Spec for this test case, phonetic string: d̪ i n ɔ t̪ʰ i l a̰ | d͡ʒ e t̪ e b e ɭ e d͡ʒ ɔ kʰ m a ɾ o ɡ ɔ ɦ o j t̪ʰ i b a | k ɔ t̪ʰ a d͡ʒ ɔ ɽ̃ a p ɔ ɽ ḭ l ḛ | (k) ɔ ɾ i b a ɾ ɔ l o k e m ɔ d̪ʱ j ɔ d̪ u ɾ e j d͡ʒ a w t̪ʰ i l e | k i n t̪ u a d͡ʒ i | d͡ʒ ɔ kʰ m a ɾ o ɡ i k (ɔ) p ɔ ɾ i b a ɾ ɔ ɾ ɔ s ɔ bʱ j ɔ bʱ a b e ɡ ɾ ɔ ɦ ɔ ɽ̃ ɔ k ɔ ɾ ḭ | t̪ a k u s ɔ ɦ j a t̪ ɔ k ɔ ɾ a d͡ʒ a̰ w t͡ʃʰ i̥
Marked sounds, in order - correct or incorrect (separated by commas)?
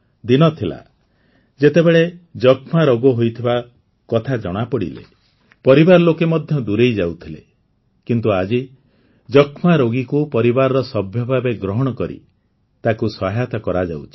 incorrect, incorrect